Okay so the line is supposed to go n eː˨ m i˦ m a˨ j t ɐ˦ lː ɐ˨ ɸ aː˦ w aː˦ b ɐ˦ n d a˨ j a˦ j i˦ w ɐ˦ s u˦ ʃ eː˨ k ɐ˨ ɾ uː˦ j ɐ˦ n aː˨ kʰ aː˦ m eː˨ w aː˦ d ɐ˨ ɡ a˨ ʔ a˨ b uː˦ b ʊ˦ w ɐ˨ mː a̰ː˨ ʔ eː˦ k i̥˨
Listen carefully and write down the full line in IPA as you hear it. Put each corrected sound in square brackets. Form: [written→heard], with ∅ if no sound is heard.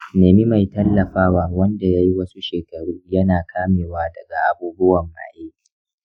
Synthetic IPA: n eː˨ m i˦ m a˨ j t ɐ˦ lː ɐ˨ ɸ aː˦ w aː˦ [b→w] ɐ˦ n d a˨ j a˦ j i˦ w ɐ˦ s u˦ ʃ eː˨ k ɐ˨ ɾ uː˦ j ɐ˦ n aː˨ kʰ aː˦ m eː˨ w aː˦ d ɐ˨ ɡ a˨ ʔ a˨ b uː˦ b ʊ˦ w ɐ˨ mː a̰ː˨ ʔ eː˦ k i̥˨